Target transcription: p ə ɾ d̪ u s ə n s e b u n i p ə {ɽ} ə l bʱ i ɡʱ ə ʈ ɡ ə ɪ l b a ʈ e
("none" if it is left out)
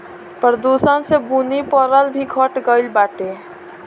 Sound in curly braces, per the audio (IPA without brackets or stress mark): ɾ